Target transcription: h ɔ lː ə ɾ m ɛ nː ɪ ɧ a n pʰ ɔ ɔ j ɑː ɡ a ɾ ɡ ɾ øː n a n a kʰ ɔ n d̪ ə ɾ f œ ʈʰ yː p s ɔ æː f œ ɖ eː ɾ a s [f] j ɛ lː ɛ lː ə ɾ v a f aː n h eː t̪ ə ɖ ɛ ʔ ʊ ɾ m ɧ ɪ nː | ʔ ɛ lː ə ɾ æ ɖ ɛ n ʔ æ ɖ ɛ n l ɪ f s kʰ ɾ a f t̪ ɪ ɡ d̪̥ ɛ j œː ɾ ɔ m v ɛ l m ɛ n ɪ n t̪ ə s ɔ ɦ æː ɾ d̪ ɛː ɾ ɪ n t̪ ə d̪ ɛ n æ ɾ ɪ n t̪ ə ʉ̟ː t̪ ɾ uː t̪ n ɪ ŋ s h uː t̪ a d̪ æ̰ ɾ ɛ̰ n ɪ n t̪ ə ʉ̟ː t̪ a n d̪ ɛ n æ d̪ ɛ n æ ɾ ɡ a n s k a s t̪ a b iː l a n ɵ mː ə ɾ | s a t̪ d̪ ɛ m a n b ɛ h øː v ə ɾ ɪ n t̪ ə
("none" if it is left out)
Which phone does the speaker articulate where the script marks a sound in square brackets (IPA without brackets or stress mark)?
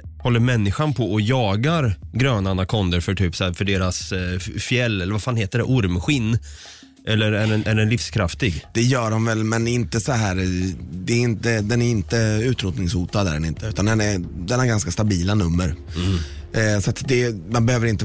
f